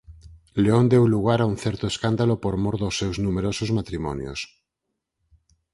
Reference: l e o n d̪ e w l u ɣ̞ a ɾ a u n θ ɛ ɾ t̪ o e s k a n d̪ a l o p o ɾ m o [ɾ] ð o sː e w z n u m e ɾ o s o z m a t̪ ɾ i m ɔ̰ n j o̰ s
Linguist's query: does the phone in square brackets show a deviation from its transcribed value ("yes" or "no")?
no